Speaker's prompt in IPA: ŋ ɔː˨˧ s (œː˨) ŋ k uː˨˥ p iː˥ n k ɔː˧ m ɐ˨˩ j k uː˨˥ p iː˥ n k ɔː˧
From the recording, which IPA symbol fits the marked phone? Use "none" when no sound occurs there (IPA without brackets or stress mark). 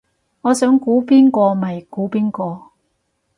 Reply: œː˨˥